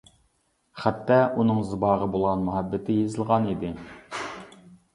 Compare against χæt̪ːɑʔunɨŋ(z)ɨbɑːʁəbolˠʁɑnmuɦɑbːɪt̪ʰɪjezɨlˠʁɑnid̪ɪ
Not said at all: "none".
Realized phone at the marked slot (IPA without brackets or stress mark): z